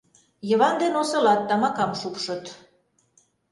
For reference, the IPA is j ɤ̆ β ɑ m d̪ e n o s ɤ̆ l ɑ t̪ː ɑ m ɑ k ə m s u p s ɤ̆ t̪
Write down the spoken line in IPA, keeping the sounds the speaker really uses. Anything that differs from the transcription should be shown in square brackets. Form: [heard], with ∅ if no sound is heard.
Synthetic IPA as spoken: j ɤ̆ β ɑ [n] d̪ e n o s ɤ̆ l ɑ t̪ː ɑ m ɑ k [ɑ] m [ʃ] u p [ʃ] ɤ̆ t̪